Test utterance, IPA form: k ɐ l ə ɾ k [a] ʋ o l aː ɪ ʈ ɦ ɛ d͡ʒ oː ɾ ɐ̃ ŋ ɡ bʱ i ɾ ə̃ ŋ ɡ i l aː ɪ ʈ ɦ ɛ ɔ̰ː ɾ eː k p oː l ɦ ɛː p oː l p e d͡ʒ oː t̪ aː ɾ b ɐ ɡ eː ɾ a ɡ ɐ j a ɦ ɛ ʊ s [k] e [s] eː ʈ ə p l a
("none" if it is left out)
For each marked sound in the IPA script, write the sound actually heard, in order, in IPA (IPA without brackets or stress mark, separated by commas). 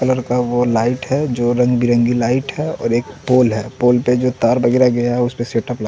a, p, s